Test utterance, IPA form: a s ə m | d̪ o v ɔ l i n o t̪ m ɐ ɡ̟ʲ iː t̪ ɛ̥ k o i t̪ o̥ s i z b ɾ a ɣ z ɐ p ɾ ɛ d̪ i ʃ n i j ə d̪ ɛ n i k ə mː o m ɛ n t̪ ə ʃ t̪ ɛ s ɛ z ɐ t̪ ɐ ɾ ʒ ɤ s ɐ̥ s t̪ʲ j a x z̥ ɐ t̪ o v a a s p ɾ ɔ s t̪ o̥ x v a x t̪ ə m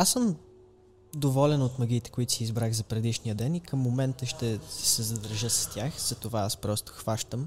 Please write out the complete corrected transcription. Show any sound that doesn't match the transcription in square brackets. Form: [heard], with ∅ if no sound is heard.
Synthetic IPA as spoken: a s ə m | d̪ o v ɔ l [ɛ] n o t̪ m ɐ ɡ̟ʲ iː t̪ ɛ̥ k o i t̪ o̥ s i z b ɾ a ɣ z ɐ p ɾ ɛ d̪ i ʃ n i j ə d̪ ɛ n i k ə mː o m ɛ n t̪ ə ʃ t̪ ɛ s ɛ z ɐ [d̪] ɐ ɾ ʒ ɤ s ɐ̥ s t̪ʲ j a x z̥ ɐ t̪ o v a a s p ɾ ɔ s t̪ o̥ x v a [ʃ] t̪ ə m